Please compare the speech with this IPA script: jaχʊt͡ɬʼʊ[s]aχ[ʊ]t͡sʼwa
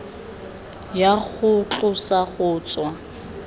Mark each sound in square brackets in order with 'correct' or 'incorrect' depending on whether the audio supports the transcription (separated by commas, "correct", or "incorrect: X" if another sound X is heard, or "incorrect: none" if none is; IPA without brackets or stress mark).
correct, incorrect: ʊː